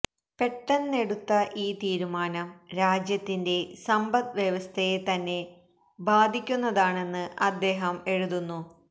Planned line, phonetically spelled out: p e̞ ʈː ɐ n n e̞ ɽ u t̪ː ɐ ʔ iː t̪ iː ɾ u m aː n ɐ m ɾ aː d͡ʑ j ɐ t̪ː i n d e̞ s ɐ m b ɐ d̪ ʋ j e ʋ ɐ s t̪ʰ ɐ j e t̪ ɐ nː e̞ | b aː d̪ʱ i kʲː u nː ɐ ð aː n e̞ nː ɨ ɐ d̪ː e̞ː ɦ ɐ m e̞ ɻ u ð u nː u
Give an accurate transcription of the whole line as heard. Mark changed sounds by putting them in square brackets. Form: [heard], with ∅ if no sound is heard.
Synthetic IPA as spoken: p e̞ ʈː ɐ n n e̞ ɽ u t̪ː ɐ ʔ iː t̪ iː ɾ u m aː n ɐ m ɾ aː d͡ʑ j ɐ t̪ː i n d e̞ s ɐ m b ɐ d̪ ʋ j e ʋ ɐ s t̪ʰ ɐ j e t̪ ɐ nː e̞ | b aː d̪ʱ i kʲː u nː ɐ ð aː [ɳ] e̞ nː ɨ ɐ d̪ː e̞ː ɦ ɐ m e̞ ɻ u ð u nː u

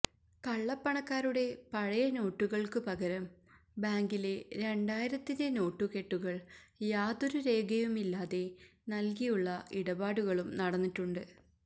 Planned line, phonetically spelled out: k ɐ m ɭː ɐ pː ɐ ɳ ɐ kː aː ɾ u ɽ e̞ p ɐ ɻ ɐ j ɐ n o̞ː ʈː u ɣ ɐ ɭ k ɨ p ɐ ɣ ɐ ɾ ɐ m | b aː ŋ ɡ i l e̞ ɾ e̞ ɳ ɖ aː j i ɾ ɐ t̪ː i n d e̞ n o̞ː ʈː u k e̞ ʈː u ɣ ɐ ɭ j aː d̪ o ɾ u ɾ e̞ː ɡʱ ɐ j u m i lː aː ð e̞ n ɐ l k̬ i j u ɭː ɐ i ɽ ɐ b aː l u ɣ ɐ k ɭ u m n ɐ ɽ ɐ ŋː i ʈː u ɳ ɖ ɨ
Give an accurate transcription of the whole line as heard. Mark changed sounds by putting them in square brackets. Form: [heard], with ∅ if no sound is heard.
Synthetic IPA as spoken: k ɐ [∅] ɭː ɐ pː ɐ ɳ ɐ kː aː ɾ u ɽ e̞ p ɐ ɻ ɐ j ɐ n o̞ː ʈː u ɣ ɐ ɭ k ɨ p ɐ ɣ ɐ ɾ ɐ m | b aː ŋ ɡ i l e̞ ɾ e̞ ɳ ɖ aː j i ɾ ɐ t̪ː i n d e̞ n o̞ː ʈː u k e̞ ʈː u ɣ ɐ ɭ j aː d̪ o ɾ u ɾ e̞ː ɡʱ ɐ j u m i lː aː ð e̞ n ɐ l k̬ i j u ɭː ɐ i ɽ ɐ b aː [ɽ] u ɣ ɐ [∅] ɭ u m n ɐ ɽ ɐ [nː] i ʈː u ɳ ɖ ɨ

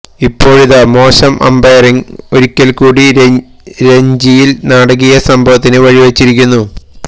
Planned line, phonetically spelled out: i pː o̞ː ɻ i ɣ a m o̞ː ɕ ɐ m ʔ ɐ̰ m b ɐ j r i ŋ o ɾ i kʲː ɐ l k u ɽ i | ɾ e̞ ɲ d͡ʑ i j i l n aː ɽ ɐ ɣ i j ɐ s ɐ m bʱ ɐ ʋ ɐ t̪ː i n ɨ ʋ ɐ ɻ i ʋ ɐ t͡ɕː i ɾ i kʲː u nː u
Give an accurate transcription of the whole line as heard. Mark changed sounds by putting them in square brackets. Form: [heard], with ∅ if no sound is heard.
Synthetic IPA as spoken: i pː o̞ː ɻ i [ð] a m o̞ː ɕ ɐ m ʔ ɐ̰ m b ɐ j r i ŋ o ɾ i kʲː ɐ l k [uː] ɽ i | ɾ e̞ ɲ d͡ʑ i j i l n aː ɽ ɐ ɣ i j ɐ s ɐ m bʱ ɐ ʋ ɐ t̪ː i n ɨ ʋ ɐ ɻ i ʋ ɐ t͡ɕː i ɾ i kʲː u nː u

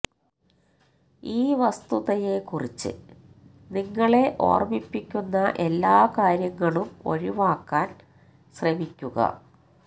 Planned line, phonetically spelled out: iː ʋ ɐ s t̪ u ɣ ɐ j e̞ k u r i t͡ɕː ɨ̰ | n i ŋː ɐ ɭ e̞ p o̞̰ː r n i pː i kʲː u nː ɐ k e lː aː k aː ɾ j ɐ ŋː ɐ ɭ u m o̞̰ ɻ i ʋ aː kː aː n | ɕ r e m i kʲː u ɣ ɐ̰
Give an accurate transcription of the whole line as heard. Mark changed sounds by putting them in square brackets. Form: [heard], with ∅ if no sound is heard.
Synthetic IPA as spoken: iː ʋ ɐ s t̪ u [ð] ɐ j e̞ k u r i t͡ɕː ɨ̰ | n i ŋː ɐ ɭ e̞ [ʔ] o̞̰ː r [m] i pː i kʲː u nː ɐ [ʔ] e lː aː k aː ɾ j ɐ ŋː ɐ ɭ u m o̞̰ ɻ i ʋ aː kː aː n | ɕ r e m i kʲː u ɣ ɐ̰

